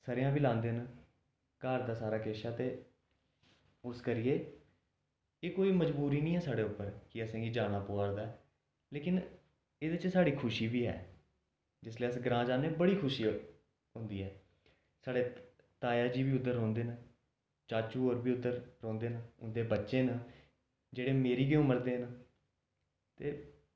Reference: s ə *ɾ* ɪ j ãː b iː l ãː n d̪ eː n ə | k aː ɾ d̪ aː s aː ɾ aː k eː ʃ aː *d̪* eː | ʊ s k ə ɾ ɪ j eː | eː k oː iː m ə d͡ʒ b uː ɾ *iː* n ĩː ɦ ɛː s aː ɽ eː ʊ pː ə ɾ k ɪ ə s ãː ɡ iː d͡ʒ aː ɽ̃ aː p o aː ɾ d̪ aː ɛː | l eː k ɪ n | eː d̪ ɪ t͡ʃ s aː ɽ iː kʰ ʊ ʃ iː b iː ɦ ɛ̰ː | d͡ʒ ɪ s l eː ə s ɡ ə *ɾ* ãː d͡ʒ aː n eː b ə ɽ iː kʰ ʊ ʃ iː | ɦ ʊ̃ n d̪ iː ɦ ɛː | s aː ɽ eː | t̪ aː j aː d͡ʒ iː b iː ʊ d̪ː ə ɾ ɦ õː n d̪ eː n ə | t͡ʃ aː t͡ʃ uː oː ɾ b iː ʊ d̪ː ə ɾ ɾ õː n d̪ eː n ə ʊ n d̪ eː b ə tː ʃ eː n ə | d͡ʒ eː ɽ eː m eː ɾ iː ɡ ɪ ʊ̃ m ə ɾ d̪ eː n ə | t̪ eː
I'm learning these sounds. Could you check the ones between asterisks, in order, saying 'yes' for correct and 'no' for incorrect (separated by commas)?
yes, no, yes, yes